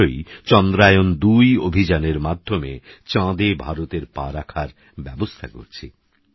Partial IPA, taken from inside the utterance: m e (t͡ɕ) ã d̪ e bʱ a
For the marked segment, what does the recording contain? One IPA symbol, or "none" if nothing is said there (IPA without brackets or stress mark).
t͡ɕ